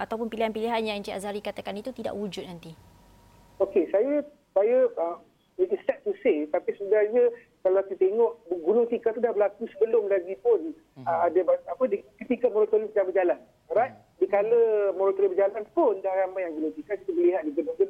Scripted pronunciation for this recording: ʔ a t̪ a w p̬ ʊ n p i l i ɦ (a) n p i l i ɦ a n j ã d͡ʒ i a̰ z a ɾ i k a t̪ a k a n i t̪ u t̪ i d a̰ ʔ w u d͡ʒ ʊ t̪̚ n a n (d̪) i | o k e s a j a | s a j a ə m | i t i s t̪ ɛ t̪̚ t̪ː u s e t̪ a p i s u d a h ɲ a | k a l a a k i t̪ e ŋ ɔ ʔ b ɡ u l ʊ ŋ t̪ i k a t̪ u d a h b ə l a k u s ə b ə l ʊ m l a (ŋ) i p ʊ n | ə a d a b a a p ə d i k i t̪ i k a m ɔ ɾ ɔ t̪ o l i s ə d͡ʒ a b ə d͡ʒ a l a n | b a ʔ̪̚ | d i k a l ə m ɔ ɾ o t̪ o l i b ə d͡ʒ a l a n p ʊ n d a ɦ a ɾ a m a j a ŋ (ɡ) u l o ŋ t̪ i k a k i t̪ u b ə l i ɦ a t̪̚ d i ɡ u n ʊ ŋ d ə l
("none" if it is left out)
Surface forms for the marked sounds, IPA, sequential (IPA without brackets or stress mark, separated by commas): a, t̪, ɡ, ɡ